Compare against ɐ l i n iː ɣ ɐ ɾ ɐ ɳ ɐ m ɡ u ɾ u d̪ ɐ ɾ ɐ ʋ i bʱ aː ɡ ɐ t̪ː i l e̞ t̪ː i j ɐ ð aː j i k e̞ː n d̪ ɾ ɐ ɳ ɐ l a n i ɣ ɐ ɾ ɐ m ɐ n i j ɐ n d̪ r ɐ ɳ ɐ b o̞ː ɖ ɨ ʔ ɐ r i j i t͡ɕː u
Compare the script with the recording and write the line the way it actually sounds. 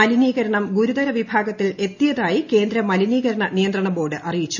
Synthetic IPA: ɐ l i n iː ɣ ɐ ɾ ɐ ɳ ɐ m ɡ u ɾ u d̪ ɐ ɾ ɐ ʋ i bʱ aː ɡ ɐ t̪ː i l e̞ t̪ː i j ɐ ð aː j i k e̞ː n d̪ ɾ ɐ m ɐ l i n iː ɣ ɐ ɾ ɐ ɳ ɐ n i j ɐ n d̪ r ɐ ɳ ɐ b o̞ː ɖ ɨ ʔ ɐ r i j i t͡ɕː u